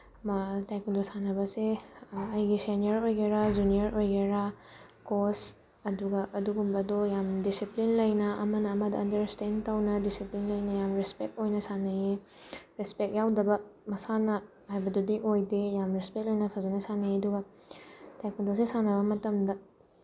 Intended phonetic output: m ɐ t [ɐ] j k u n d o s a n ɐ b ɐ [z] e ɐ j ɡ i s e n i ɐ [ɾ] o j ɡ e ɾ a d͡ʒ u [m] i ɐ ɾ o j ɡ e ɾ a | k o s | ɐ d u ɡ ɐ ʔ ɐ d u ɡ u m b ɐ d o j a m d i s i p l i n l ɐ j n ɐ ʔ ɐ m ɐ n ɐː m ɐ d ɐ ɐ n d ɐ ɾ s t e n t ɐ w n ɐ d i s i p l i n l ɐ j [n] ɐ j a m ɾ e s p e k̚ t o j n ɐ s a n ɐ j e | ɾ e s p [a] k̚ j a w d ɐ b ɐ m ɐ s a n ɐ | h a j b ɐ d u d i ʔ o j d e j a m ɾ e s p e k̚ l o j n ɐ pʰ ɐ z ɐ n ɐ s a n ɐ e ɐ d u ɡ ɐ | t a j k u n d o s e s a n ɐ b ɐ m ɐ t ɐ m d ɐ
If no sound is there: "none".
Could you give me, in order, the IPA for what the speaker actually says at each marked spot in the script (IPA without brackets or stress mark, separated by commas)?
a, s, ɾ, n, n, e